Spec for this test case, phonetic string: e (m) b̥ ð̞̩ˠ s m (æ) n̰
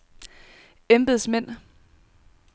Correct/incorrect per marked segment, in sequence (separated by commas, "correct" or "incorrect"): correct, incorrect